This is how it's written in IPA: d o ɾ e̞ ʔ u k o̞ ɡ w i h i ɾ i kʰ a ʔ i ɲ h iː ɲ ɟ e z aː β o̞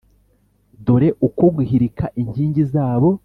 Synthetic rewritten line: d o ɾ e̞ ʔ u k o̞ ɡ w i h i ɾ i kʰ a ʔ i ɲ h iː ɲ ɟ i z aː β o̞